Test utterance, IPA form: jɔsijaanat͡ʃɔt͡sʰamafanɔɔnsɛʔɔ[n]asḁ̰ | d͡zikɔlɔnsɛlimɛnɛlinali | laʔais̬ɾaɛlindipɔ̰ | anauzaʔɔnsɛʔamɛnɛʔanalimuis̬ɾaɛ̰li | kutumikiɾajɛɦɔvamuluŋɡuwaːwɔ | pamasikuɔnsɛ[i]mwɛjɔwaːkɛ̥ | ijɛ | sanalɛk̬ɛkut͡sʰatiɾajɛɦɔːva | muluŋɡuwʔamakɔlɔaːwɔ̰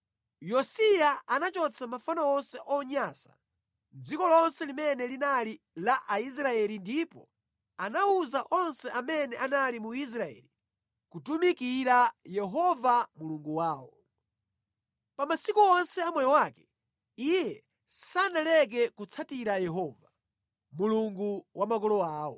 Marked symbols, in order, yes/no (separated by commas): no, no